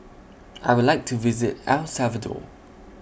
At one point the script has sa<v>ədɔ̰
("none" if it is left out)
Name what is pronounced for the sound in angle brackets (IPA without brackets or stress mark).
v